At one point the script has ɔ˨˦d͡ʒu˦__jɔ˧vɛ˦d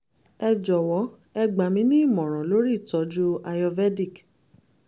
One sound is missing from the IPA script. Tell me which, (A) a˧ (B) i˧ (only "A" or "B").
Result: A